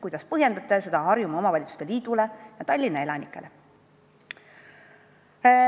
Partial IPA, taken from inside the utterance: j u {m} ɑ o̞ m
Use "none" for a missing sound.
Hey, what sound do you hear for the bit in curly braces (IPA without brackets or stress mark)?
m